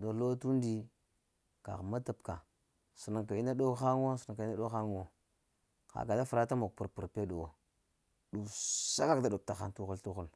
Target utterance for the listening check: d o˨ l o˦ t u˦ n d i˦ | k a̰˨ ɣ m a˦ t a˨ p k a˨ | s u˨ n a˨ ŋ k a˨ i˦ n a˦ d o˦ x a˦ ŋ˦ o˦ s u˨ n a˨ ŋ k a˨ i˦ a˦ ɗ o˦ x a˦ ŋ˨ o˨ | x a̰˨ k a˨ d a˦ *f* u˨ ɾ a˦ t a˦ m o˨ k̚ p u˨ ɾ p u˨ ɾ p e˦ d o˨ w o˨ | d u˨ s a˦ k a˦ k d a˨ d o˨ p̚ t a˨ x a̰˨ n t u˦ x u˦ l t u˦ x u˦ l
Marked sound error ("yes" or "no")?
no